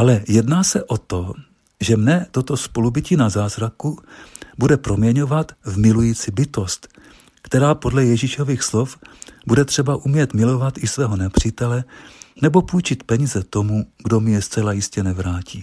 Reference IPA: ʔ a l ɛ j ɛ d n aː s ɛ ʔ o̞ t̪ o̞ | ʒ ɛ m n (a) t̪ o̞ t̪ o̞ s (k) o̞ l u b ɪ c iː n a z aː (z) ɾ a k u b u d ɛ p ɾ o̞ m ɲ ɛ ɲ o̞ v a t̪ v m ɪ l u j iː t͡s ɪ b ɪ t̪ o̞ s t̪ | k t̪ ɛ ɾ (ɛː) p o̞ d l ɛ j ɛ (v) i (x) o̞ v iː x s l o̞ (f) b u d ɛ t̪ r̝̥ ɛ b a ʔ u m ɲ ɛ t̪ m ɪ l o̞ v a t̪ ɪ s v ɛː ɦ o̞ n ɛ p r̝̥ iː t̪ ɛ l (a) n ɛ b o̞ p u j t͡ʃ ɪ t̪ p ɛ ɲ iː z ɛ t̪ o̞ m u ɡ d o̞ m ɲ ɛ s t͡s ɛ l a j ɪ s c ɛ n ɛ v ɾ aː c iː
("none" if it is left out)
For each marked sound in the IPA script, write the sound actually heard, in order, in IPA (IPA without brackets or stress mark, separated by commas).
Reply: ɛ, p, z, aː, ʒ, ʃ, f, ɛ